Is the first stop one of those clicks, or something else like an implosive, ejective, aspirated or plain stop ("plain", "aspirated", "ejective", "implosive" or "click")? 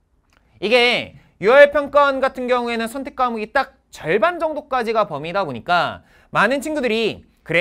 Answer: plain